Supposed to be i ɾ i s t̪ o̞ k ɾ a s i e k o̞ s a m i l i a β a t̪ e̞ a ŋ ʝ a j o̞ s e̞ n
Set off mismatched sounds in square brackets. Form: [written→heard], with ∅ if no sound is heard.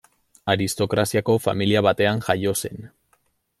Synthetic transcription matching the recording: [i→a] ɾ i s t̪ o̞ k ɾ a s i [e→a] k o̞ [s→f] a m i l i a β a t̪ e̞ a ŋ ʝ a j o̞ s e̞ n